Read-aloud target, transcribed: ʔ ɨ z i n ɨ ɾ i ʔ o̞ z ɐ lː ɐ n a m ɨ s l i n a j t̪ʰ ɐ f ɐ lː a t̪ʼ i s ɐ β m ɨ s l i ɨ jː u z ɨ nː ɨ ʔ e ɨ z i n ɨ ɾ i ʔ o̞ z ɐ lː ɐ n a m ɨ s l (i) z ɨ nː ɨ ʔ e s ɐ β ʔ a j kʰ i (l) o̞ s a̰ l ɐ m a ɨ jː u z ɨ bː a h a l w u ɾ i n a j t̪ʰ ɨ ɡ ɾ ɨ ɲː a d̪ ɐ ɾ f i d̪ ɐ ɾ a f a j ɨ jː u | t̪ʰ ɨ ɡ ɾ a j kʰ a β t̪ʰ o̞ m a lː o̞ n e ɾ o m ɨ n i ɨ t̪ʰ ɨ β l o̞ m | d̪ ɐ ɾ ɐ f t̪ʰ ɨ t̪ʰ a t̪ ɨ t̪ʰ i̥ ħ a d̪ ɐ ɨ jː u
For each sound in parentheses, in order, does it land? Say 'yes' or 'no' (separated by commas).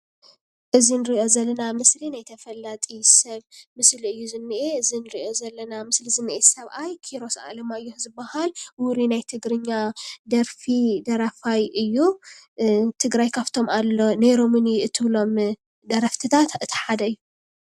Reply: yes, no